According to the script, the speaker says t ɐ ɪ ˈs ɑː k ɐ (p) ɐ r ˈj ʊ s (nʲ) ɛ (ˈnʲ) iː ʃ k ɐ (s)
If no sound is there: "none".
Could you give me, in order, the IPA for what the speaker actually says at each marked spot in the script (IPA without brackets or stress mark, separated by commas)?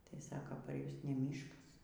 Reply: p, nʲ, mʲ, s